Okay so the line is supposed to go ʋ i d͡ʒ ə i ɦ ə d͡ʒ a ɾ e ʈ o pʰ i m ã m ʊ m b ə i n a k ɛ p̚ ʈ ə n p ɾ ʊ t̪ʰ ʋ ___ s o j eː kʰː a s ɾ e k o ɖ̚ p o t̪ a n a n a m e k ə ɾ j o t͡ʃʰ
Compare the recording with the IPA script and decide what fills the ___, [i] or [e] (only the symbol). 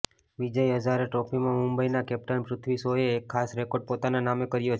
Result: i